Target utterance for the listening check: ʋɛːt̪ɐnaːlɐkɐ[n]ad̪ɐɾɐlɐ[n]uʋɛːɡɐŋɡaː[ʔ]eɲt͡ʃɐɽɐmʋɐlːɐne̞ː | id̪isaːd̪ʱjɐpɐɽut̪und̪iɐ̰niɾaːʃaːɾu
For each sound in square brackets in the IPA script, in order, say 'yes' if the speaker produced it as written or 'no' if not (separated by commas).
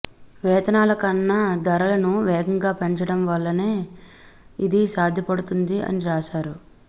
no, yes, no